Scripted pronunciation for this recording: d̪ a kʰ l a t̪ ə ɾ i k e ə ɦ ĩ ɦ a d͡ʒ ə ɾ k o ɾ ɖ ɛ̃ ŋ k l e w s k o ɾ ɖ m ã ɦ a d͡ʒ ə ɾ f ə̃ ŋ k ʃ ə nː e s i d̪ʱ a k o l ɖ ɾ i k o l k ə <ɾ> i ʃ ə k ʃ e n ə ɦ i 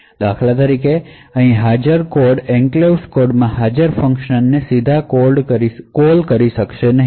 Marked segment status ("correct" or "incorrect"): correct